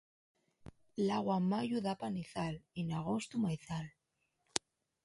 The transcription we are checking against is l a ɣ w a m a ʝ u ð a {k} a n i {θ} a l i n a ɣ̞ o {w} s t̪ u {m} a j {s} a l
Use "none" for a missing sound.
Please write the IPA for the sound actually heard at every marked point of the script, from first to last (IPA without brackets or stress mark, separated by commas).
p, θ, none, m, θ